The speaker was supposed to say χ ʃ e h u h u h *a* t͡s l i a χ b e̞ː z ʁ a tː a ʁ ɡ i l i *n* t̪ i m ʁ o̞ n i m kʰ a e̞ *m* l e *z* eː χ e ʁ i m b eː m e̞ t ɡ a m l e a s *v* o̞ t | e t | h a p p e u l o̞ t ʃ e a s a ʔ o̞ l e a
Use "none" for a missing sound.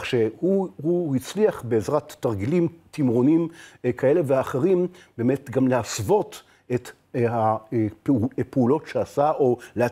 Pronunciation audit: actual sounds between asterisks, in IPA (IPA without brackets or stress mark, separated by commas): i, m, none, v, v